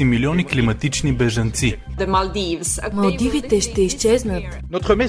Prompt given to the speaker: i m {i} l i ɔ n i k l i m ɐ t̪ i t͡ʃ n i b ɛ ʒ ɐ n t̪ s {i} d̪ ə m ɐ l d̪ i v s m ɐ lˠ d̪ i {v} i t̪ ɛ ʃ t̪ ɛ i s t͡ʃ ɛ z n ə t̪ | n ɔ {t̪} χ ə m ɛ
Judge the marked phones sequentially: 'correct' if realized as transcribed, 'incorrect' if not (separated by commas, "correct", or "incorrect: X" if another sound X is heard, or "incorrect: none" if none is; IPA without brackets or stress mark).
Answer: correct, correct, correct, correct